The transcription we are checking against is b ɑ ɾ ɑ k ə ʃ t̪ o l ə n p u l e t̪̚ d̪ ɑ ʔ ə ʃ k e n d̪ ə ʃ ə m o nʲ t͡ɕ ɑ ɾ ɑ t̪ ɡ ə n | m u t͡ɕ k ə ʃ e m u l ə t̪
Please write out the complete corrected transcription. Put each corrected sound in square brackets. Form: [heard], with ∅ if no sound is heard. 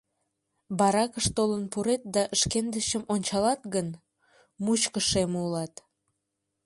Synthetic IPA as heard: b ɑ ɾ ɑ k ə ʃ t̪ o l ə n p u [ɾ] e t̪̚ d̪ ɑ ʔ ə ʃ k e n d̪ ə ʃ ə m o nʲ t͡ɕ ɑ [l] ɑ t̪ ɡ ə n | m u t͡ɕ k ə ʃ e m u l [ɑ] t̪